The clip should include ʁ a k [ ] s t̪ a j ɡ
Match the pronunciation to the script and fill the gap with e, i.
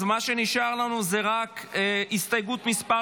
i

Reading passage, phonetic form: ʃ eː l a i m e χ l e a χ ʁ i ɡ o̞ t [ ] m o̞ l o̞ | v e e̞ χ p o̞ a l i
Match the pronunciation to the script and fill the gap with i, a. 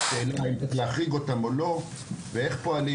a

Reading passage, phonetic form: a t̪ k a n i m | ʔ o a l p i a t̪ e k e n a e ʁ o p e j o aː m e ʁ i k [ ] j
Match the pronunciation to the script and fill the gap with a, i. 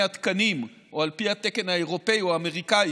a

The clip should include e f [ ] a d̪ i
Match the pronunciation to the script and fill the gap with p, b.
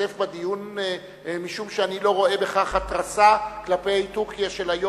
b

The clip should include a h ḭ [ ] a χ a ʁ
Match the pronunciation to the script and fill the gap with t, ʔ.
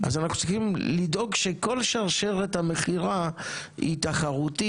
t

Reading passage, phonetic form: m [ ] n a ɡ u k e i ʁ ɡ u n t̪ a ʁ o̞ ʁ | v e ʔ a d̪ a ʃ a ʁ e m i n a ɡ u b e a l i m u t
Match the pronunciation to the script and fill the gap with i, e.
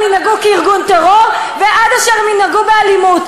i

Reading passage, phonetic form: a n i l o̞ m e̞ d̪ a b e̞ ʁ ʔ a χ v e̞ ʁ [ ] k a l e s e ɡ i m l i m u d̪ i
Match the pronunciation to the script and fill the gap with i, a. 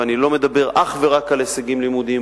a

